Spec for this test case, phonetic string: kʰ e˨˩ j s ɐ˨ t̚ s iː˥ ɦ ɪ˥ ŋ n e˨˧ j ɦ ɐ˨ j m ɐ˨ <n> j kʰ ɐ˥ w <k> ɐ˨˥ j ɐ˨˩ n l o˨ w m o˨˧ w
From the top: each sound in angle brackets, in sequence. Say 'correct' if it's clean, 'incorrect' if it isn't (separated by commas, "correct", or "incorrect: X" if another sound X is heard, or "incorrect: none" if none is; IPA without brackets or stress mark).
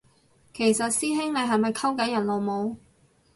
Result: incorrect: none, correct